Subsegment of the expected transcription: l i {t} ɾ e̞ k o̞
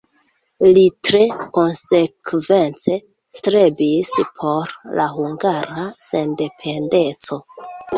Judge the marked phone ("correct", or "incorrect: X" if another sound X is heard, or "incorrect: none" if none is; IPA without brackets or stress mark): correct